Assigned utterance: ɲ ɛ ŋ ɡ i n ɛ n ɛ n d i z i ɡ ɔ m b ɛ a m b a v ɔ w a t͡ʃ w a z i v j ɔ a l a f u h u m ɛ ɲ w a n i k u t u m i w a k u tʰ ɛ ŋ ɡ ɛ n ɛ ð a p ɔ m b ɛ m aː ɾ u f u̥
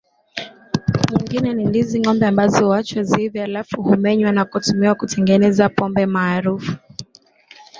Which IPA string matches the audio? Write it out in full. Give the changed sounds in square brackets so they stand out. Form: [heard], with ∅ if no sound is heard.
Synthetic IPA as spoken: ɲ [i] ŋ ɡ i n ɛ n [i] n d i z i [ŋ] ɔ m b ɛ a m b a [z] ɔ w a t͡ʃ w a z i v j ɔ a l a f u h u m ɛ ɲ w a n [a] k u t u m i w a k u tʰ ɛ ŋ ɡ ɛ n ɛ [z] a p ɔ m b ɛ m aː ɾ u f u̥